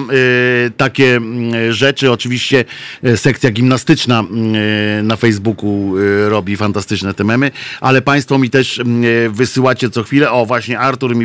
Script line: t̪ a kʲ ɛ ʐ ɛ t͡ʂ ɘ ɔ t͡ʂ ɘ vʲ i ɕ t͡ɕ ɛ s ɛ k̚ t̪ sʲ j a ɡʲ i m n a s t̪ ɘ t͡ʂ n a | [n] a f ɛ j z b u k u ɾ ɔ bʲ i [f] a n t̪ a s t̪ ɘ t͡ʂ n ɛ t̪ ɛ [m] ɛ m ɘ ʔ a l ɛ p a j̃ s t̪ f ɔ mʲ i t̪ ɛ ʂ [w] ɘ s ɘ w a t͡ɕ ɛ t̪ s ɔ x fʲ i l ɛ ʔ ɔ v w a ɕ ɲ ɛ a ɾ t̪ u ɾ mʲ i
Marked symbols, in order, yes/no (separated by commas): yes, yes, yes, no